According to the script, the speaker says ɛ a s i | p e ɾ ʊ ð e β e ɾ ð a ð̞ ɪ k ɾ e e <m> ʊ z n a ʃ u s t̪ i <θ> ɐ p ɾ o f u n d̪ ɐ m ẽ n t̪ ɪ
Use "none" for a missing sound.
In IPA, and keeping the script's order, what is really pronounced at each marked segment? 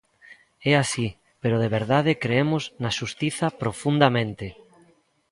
m, θ

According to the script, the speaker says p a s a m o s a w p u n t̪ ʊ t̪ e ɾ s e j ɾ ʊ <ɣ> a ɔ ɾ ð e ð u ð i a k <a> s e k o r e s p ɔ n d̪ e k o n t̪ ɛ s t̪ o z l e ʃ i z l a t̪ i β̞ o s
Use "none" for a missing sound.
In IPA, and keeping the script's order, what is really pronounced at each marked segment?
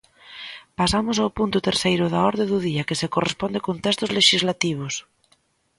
ð, e

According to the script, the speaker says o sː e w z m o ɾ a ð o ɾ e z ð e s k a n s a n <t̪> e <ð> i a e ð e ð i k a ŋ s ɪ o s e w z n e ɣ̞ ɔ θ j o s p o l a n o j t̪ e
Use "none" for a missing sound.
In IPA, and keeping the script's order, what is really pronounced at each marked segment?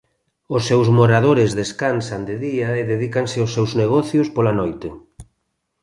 d̪, ð

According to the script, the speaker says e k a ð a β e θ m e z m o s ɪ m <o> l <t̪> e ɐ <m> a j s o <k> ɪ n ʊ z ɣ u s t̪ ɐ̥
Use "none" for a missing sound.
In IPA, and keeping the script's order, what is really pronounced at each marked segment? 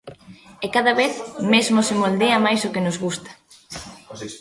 o, d̪, m, k

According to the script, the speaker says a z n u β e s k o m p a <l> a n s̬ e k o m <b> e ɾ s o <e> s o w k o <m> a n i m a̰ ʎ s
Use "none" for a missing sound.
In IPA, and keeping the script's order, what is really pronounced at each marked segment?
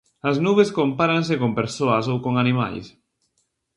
ɾ, p, a, ŋ

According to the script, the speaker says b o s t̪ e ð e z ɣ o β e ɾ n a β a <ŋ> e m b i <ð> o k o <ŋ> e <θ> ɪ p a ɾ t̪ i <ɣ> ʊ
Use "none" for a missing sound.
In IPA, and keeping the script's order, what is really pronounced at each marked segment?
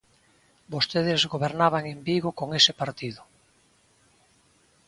ŋ, ɣ, ŋ, s, ð

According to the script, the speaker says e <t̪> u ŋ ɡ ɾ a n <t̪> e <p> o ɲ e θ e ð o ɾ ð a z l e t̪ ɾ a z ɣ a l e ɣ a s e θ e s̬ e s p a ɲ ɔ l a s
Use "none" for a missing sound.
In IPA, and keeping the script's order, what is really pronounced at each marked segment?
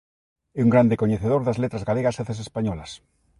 none, d̪, k

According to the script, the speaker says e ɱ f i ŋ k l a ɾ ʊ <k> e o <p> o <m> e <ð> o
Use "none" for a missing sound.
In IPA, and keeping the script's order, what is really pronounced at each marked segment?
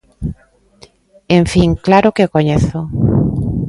k, k, ɲ, θ

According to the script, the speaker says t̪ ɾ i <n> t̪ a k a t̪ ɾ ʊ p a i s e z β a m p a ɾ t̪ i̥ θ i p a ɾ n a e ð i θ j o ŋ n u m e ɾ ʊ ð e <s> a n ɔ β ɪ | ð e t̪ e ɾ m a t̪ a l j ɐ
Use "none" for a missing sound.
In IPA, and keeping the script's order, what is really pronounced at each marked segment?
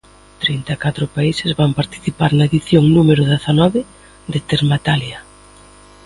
n, θ

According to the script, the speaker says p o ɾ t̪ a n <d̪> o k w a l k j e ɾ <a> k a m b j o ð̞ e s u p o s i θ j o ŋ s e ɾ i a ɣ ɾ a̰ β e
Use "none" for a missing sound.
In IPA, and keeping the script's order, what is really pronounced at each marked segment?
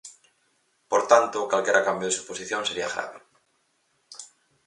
t̪, a

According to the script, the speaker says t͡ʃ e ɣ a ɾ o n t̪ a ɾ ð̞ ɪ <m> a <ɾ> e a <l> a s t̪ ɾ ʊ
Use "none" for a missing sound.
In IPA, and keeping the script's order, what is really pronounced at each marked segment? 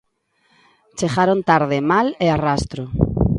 m, l, r

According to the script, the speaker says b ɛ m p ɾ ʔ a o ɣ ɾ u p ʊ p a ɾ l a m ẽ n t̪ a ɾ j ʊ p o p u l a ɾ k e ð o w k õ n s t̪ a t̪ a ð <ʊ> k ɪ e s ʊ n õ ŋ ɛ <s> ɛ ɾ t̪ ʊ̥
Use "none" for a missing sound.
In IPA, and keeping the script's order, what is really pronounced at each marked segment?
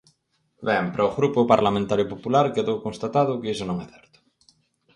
ʊ, θ

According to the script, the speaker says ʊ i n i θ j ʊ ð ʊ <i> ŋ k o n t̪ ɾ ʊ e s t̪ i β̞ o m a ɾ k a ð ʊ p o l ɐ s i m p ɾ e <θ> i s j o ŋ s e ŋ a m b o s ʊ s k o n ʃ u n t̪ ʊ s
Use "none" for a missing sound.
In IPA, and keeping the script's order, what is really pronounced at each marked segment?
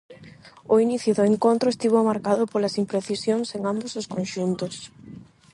e, θ

